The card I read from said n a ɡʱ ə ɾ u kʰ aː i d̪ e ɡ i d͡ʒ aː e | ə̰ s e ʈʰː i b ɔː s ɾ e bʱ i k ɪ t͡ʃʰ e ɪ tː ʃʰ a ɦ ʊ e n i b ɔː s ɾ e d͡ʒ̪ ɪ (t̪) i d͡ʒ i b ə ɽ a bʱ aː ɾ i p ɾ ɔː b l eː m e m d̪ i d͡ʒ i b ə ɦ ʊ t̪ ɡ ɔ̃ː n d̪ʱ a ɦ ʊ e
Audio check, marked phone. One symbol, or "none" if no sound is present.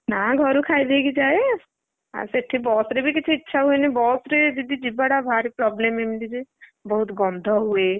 d̪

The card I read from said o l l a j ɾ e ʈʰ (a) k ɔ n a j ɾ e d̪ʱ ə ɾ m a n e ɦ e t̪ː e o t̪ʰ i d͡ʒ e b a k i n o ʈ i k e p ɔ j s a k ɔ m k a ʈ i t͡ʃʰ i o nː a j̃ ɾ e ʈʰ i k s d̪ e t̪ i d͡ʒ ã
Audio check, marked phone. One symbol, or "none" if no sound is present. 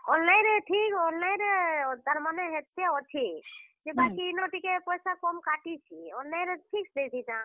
i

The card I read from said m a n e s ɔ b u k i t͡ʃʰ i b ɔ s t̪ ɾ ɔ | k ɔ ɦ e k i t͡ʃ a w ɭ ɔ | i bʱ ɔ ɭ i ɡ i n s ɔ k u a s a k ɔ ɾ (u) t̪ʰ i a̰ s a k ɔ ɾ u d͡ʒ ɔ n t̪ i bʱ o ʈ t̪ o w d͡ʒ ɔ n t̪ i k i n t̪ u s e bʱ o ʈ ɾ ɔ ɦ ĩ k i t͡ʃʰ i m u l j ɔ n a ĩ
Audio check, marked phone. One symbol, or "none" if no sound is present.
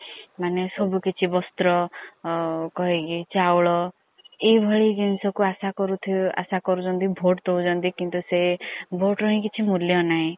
u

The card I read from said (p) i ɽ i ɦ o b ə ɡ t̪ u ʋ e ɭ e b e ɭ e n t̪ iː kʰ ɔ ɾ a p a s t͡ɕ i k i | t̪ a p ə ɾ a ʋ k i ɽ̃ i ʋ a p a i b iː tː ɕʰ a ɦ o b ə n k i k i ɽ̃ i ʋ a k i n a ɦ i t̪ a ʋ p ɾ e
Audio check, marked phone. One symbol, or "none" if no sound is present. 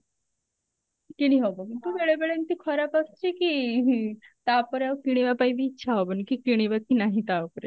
k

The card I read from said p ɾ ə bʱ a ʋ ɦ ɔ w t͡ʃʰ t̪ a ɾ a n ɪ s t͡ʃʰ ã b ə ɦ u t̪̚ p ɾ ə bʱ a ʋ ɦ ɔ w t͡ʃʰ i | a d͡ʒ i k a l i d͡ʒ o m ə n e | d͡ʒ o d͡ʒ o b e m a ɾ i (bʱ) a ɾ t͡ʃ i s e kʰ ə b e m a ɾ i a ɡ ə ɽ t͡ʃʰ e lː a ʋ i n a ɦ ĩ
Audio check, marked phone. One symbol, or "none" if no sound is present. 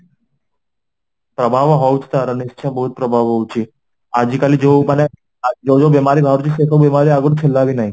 bʱ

